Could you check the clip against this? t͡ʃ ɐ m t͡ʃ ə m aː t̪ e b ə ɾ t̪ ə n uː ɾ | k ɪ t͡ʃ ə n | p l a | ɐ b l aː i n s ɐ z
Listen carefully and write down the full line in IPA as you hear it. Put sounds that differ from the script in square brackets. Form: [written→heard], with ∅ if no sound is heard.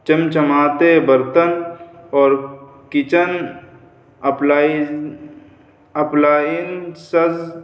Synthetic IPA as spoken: t͡ʃ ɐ m t͡ʃ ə m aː t̪ e b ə ɾ t̪ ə n [uː→ɔː] ɾ | k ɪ t͡ʃ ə n | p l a | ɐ [b→p] l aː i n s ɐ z